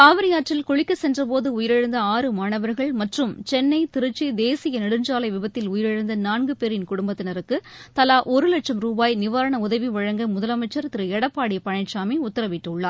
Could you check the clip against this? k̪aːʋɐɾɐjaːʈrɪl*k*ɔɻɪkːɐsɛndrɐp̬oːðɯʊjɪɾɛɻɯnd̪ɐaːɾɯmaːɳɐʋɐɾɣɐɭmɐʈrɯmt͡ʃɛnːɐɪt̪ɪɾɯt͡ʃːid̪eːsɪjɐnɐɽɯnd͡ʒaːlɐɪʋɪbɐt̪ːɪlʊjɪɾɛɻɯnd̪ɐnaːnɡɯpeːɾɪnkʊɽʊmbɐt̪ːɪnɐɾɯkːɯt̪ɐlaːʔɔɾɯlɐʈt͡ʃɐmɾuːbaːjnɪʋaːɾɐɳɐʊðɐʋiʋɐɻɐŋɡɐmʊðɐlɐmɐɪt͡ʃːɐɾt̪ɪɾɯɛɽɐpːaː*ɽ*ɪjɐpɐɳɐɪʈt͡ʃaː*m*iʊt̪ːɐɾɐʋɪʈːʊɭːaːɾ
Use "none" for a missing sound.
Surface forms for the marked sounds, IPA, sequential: k, ɽ, m

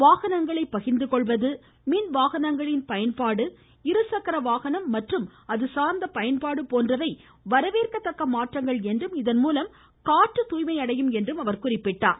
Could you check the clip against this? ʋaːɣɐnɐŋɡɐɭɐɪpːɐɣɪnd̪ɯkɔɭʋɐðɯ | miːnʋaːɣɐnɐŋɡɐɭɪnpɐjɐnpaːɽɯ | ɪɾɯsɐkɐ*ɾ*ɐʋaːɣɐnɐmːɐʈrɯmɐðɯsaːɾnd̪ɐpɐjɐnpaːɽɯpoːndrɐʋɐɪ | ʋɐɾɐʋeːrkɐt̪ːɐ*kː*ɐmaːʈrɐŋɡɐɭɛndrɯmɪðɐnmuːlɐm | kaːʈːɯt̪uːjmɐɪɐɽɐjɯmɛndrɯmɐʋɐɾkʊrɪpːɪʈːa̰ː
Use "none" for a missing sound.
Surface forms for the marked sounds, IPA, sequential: ɾ, kː

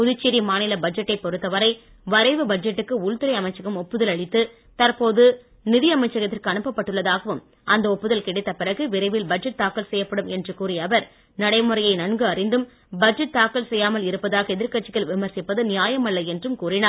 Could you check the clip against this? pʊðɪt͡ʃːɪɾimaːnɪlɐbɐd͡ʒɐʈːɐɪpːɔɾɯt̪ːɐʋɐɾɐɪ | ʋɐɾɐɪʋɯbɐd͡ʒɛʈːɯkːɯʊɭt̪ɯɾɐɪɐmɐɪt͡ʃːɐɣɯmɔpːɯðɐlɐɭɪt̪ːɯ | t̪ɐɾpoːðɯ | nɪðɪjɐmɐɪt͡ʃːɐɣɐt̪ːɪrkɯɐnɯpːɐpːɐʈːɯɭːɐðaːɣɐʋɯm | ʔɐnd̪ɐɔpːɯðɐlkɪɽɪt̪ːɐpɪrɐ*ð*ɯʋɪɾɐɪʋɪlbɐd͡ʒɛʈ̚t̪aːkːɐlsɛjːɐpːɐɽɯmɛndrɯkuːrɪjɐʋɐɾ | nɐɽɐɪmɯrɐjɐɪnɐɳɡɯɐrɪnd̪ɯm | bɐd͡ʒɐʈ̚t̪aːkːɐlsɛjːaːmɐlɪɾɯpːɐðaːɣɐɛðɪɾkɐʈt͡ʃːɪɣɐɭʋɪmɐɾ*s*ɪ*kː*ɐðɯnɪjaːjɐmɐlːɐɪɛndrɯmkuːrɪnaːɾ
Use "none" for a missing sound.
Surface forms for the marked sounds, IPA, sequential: ɣ, s, pː

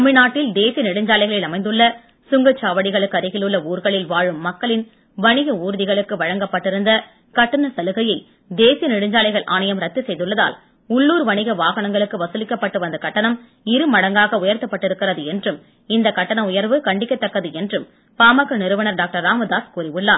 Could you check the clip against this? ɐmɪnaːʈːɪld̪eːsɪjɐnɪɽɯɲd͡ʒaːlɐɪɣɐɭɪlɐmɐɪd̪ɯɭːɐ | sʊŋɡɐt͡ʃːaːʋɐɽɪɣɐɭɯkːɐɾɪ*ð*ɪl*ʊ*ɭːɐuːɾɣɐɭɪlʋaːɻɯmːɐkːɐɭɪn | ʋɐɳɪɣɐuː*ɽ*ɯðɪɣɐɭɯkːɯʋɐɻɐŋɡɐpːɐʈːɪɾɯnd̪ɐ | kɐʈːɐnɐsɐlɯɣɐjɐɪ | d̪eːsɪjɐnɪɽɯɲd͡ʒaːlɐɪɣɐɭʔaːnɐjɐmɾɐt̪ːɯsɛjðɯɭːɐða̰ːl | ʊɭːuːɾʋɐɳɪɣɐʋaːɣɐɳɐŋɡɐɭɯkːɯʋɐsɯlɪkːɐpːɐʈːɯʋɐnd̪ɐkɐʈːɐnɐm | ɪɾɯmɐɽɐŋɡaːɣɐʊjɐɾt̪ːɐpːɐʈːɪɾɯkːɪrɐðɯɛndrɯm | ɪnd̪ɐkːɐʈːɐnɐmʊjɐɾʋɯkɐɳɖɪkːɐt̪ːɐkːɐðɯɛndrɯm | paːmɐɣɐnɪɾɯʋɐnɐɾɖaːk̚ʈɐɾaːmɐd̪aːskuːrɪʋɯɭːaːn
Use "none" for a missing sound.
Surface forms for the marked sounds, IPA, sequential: ɣ, ɯ, ɾ

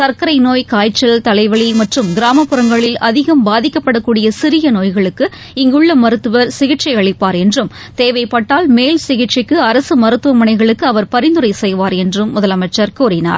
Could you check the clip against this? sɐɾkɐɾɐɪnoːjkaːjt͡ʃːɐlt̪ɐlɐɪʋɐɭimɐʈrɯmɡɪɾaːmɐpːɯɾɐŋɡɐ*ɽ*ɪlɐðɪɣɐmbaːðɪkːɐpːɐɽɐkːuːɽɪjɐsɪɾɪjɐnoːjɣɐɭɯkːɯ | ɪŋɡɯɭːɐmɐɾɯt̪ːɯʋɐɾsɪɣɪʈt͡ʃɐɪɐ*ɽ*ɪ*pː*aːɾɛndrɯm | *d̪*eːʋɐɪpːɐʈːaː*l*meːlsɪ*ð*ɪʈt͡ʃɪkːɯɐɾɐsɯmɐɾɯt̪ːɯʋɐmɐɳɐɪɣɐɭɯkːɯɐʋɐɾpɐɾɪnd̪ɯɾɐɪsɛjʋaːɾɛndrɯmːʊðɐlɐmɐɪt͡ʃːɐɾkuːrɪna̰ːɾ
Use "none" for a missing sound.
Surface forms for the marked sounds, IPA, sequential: ɭ, ɭ, pː, t̪, l, ɣ

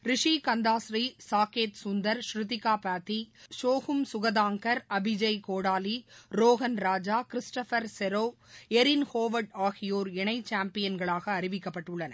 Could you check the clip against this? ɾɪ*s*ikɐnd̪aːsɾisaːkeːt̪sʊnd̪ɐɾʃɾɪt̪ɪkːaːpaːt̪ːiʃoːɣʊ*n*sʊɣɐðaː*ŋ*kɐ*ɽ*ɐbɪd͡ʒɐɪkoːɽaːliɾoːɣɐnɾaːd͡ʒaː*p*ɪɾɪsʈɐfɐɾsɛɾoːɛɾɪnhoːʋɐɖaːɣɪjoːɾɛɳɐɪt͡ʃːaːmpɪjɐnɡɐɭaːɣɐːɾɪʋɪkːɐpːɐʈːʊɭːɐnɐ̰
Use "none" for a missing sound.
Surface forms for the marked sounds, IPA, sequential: ʂ, m, ŋ, ɾ, k

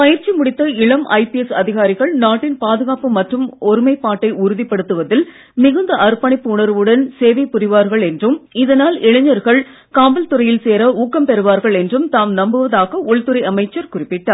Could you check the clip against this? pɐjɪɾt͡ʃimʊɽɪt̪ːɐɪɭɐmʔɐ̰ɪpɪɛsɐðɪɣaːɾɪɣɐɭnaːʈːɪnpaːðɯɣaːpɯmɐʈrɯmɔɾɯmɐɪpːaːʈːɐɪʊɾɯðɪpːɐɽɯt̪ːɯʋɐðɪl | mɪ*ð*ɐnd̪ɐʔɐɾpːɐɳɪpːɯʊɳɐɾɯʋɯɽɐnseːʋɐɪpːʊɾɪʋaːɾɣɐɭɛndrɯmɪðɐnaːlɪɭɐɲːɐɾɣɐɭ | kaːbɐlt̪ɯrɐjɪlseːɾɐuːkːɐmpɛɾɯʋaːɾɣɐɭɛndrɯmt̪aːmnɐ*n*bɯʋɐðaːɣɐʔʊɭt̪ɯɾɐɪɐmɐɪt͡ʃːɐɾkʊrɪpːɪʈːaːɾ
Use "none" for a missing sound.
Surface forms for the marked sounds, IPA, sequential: ɣ, m

